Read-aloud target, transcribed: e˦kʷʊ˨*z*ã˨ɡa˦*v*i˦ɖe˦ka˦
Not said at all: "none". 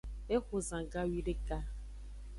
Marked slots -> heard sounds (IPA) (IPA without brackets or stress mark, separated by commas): z, w